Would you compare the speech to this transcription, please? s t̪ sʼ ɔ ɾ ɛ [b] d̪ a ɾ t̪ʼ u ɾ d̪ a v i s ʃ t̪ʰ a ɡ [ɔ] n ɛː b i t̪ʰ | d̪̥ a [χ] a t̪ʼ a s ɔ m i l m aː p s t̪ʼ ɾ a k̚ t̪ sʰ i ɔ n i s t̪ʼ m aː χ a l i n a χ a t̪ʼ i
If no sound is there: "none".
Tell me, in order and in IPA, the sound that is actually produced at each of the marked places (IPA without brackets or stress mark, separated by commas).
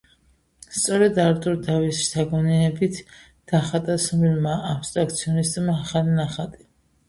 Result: none, ɔ, χ